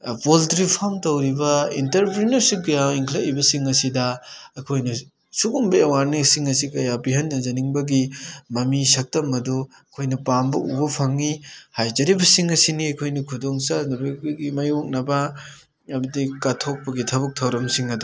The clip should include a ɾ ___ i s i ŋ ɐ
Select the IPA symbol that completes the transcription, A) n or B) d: A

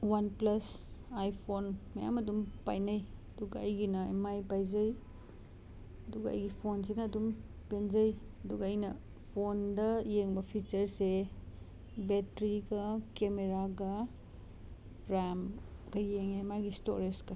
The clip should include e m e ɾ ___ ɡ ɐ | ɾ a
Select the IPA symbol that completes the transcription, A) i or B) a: B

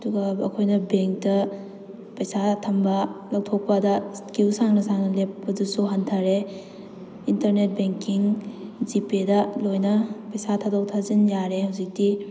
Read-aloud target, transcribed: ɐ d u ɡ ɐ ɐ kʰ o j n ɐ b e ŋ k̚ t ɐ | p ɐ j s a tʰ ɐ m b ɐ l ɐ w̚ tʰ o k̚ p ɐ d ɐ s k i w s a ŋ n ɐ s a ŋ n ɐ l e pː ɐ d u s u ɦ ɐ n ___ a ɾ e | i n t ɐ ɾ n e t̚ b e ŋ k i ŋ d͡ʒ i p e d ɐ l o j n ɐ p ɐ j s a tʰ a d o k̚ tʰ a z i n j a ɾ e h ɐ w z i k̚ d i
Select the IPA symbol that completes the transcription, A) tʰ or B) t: A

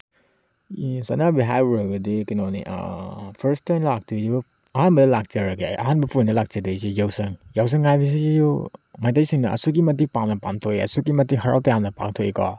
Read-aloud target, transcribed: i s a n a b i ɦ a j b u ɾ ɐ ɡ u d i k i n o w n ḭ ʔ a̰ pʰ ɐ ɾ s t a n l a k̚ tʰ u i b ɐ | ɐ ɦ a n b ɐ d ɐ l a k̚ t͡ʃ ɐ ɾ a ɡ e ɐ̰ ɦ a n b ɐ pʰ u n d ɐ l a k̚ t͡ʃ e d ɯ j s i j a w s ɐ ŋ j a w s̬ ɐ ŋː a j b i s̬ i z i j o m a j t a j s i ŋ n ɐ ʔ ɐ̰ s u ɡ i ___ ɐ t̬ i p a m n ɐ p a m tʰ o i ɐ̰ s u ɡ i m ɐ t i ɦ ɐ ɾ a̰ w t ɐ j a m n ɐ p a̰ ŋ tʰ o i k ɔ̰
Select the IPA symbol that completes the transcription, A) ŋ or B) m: B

